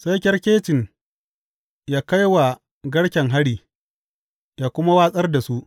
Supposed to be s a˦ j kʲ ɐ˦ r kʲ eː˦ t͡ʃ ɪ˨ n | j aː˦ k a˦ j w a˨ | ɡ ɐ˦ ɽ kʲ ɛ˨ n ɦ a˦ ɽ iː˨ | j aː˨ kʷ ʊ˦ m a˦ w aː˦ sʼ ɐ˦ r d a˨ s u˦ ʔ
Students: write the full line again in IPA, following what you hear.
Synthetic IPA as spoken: s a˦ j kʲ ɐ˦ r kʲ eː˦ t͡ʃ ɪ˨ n | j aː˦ k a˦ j w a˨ | ɡ ɐ˦ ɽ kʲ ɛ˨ ŋ ɦ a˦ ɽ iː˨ | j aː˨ kʷ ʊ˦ m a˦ w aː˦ sʼ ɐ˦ r d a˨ s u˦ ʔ